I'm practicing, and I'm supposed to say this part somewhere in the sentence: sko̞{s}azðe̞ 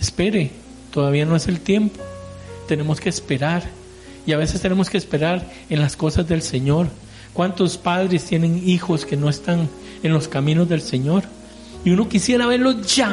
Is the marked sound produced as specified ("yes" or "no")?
yes